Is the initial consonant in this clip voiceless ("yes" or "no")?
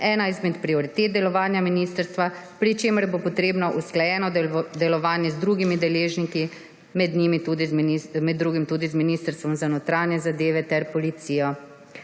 no